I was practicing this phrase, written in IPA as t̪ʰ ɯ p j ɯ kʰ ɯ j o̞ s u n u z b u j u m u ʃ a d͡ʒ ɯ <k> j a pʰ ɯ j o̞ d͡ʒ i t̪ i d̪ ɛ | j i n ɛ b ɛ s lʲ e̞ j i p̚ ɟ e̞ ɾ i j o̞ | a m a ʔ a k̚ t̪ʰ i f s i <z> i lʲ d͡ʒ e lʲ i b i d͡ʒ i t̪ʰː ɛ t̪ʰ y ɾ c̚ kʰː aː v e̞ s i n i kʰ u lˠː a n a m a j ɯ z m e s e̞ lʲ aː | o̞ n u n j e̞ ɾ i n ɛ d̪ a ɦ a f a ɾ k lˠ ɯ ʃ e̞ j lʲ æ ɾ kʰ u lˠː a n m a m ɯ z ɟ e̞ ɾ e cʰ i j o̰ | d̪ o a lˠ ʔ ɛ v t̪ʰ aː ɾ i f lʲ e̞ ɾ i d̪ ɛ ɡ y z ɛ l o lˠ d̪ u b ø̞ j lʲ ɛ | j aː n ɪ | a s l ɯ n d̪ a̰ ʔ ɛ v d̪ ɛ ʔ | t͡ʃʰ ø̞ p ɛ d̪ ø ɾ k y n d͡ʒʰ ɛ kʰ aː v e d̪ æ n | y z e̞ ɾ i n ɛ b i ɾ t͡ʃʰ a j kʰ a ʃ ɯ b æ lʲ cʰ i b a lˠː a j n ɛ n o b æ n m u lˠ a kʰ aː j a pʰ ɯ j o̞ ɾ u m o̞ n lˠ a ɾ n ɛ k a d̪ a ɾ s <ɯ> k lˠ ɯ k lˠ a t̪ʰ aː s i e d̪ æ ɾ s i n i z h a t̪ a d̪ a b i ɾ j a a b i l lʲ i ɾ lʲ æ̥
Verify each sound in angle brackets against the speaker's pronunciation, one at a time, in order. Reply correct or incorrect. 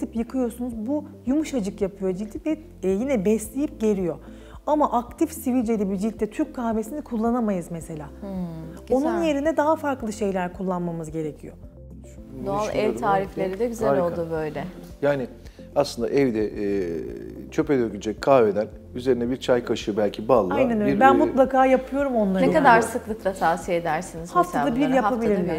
correct, incorrect, correct

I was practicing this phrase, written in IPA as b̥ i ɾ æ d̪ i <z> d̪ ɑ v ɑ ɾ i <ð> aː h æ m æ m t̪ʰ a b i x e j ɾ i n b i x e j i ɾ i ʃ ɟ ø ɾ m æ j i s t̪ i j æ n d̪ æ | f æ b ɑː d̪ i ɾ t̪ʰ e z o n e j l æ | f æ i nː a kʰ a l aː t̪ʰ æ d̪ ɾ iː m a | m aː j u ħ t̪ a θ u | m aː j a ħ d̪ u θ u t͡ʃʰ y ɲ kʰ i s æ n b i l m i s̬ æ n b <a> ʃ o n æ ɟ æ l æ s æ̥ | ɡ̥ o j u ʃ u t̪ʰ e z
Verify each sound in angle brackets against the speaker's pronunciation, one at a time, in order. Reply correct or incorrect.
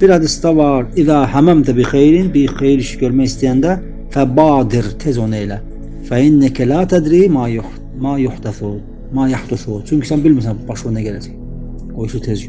incorrect, correct, incorrect

